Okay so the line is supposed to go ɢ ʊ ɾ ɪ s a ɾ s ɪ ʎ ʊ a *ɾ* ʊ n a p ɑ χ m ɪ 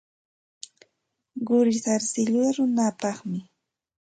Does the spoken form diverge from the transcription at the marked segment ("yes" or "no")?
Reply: no